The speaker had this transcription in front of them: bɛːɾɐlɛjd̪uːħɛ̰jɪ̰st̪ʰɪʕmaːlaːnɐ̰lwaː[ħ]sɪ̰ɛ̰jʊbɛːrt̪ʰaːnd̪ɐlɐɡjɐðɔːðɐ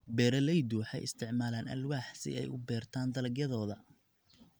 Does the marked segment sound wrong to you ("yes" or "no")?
no